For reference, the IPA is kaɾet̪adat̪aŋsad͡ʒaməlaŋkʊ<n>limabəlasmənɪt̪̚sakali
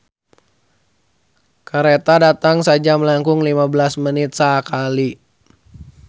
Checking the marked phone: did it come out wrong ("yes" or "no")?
yes